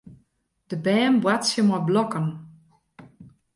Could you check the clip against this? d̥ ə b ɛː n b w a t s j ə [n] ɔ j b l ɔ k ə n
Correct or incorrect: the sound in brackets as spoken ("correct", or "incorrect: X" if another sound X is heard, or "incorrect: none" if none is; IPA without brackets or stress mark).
incorrect: m